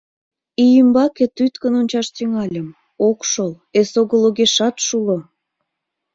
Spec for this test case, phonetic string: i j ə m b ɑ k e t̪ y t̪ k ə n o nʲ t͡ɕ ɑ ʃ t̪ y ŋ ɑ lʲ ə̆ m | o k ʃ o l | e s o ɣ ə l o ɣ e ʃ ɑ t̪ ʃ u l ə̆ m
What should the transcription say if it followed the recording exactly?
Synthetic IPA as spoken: i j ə m b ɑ k e t̪ y t̪ k ə n o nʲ t͡ɕ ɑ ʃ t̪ y ŋ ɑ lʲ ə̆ m | o k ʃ o l | e s o ɣ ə l o ɣ e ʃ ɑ t̪ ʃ u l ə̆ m